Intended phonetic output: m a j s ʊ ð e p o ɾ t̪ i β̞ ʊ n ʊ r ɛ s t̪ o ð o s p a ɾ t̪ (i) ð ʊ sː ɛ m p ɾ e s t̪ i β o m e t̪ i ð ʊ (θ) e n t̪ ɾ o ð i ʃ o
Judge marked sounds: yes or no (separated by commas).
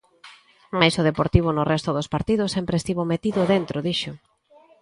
yes, no